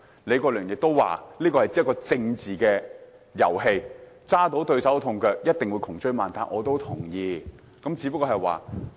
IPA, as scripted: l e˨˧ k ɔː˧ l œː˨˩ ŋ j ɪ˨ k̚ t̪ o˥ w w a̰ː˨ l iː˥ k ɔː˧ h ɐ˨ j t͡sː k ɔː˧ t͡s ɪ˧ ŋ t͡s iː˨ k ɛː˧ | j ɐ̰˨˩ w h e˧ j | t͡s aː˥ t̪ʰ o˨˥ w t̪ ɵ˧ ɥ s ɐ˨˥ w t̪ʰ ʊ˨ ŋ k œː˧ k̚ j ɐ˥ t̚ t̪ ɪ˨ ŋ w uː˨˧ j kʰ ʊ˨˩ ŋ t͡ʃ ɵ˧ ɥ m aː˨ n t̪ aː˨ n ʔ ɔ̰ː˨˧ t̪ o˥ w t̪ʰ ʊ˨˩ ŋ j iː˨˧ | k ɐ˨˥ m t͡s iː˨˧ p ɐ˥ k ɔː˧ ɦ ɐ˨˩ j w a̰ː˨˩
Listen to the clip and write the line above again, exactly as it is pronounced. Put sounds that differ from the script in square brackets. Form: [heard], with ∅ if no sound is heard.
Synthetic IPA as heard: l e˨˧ k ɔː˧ l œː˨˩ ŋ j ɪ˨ k̚ t̪ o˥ w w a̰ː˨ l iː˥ k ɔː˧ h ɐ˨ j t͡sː k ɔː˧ t͡s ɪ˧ ŋ t͡s iː˨ k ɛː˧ | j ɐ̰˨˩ w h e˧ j | t͡s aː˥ [t̪] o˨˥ w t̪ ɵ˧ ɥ s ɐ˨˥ w t̪ʰ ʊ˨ ŋ k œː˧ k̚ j ɐ˥ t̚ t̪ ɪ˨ ŋ w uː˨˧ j kʰ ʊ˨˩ ŋ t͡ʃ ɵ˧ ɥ m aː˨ n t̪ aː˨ n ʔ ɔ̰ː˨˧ t̪ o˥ w t̪ʰ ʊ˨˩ ŋ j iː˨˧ | k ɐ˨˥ m t͡s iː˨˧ p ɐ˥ k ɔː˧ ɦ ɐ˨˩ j w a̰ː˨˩

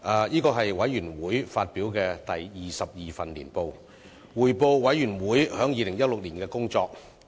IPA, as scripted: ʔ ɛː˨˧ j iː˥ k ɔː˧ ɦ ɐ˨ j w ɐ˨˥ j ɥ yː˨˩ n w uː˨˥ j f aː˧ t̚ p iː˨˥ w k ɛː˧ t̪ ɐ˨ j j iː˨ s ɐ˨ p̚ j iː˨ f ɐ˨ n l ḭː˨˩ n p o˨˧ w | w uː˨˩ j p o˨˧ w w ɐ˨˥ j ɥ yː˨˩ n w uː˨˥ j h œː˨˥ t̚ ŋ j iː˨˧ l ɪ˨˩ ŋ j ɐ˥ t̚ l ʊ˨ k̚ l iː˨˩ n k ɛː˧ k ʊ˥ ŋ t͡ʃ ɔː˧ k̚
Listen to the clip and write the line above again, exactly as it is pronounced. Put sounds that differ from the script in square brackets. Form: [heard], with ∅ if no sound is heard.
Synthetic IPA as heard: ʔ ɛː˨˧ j iː˥ k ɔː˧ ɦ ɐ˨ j w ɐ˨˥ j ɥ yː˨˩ n w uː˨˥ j f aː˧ t̚ p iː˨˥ w k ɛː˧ t̪ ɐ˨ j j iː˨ s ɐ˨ p̚ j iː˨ f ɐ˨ n l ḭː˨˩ n p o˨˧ w | w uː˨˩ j p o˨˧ w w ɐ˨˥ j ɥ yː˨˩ n w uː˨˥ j h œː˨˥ [∅] ŋ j iː˨˧ l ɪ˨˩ ŋ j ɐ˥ t̚ l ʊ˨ k̚ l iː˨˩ n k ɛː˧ k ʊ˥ ŋ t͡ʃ ɔː˧ k̚

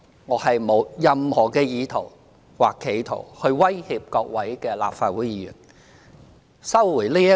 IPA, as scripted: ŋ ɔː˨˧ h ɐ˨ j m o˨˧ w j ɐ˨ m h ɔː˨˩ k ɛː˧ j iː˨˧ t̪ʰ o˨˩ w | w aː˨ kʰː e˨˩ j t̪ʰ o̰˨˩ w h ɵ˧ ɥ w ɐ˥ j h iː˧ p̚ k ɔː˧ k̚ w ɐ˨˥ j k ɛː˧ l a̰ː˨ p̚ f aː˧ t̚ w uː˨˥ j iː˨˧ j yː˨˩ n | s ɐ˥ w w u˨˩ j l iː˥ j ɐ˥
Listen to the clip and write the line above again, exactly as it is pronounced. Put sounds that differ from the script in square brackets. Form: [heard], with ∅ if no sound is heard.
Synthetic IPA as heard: ŋ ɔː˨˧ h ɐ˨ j m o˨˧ w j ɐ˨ m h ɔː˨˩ k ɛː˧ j iː˨˧ t̪ʰ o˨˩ w | w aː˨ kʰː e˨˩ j t̪ʰ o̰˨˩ w h ɵ˧ ɥ w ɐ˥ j h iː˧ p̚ k ɔː˧ k̚ w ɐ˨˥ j k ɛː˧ l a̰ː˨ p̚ f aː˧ t̚ w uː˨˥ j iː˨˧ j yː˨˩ n | s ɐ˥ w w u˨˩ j l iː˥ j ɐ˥

